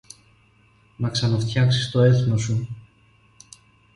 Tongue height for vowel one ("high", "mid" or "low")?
low